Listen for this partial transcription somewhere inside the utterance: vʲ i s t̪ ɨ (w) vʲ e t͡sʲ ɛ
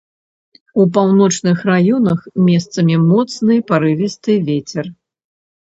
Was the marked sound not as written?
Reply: yes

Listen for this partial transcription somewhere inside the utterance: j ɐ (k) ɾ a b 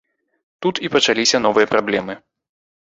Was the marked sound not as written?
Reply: yes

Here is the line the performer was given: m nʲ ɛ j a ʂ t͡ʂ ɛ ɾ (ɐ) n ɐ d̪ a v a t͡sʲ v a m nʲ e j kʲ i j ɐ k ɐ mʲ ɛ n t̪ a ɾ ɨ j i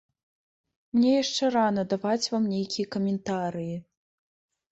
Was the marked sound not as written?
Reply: yes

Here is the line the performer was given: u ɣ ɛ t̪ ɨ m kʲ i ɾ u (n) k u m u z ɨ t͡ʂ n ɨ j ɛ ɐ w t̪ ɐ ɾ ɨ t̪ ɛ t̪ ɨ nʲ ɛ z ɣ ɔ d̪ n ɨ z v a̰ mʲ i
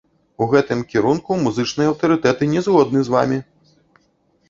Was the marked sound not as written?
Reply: no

